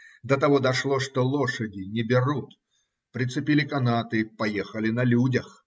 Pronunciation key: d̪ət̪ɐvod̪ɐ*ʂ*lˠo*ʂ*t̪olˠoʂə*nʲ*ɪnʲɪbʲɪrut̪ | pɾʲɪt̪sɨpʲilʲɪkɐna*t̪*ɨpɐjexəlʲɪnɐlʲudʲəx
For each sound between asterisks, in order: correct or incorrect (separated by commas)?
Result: correct, correct, incorrect, correct